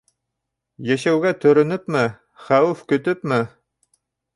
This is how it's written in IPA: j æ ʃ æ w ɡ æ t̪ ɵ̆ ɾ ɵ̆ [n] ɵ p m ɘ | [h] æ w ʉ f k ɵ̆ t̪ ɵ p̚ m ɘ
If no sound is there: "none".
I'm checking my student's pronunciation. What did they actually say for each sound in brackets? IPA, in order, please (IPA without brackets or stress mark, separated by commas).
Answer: n, χ